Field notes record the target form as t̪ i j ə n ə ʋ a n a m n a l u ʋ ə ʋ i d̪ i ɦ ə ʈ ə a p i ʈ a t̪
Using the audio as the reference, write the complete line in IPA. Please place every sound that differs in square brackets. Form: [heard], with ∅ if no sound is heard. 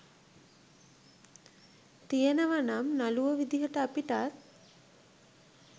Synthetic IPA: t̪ i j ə n ə ʋ a n a m n a l u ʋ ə ʋ i d̪ i ɦ ə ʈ ə a p i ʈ a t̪